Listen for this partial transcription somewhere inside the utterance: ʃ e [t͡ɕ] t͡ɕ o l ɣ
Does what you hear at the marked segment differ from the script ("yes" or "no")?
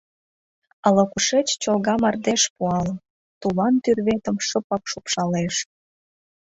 no